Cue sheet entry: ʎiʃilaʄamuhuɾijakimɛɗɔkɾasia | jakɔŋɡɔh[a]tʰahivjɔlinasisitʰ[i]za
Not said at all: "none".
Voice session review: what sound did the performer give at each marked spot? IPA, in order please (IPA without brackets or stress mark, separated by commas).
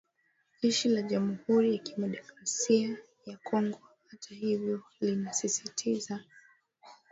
a, i